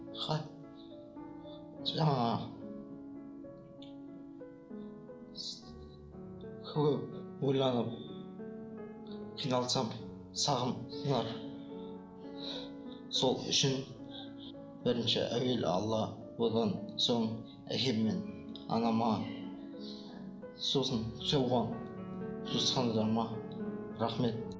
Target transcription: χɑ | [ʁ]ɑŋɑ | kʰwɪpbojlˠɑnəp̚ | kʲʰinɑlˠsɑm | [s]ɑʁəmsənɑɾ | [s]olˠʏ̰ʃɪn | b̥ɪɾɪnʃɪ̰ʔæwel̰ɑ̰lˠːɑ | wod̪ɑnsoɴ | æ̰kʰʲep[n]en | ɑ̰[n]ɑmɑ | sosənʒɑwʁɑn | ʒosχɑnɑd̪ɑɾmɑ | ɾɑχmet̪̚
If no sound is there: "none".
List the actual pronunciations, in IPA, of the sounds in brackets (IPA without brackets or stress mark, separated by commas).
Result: ʒ, s, s, m, n